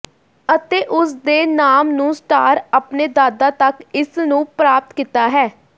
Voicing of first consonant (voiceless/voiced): voiceless